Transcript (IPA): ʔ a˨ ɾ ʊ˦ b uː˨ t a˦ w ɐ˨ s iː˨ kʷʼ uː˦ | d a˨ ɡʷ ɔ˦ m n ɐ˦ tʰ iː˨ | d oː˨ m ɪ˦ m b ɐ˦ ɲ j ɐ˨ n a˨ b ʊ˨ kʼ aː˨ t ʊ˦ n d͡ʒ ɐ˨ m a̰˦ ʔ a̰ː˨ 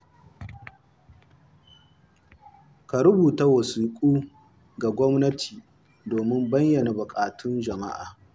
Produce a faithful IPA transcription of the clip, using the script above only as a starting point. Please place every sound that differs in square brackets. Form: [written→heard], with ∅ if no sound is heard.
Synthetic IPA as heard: [ʔ→k] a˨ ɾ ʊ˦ b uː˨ t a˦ w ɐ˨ s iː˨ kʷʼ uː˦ | [d→ɡ] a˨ ɡʷ ɔ˦ m n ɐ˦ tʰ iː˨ | d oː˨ m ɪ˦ m b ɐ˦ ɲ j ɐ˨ n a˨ b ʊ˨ kʼ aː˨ t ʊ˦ n d͡ʒ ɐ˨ m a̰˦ ʔ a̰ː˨